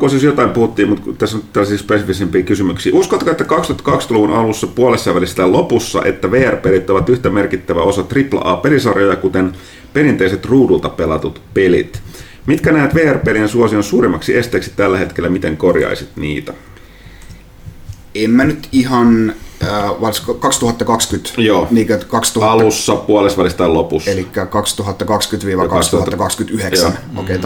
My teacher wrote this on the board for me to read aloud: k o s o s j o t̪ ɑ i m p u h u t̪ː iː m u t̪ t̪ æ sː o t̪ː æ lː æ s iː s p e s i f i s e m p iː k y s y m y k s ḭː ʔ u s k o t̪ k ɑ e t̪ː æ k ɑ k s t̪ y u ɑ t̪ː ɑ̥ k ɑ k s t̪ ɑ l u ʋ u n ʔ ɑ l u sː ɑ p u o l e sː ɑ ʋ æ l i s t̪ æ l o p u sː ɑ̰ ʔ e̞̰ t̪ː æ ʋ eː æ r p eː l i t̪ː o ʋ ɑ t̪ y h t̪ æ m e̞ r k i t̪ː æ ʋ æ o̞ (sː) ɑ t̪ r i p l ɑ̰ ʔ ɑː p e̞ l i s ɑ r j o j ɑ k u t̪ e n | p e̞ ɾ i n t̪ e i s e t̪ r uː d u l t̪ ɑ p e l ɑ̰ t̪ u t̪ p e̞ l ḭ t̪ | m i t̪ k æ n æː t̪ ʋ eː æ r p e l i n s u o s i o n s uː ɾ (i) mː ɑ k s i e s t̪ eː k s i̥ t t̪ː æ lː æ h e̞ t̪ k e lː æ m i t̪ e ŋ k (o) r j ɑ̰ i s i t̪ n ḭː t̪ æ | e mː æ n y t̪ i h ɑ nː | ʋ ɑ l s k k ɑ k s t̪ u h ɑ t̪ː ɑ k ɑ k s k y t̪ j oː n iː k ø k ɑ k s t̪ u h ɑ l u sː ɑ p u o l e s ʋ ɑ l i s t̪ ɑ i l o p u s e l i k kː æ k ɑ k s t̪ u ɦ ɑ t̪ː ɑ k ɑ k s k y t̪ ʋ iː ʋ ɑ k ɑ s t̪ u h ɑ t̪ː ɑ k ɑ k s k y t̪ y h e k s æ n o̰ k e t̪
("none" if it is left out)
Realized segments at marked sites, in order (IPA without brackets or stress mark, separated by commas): s, i, o